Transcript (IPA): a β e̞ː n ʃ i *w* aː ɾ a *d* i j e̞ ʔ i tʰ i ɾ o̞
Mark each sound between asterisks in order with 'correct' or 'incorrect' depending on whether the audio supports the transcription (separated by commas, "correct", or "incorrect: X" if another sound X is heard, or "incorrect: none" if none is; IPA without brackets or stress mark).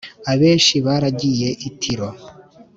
incorrect: β, incorrect: ɟ